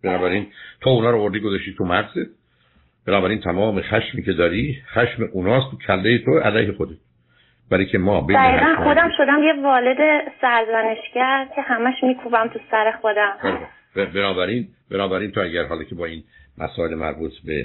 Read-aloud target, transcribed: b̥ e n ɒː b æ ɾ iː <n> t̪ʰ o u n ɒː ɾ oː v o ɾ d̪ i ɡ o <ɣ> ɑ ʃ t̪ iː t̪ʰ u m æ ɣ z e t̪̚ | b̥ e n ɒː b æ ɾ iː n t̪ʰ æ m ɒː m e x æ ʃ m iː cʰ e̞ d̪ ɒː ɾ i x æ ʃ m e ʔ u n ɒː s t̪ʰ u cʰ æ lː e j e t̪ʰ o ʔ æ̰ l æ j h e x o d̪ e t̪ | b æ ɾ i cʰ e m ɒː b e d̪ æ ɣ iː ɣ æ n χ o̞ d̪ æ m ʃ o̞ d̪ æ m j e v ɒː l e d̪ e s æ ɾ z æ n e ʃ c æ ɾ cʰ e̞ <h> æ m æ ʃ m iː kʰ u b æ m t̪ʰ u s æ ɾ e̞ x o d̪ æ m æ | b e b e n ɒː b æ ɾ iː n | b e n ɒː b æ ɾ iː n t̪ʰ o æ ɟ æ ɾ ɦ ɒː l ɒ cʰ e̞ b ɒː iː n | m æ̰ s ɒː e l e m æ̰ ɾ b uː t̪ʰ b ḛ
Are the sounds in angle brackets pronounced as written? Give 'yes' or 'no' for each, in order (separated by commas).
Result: yes, no, yes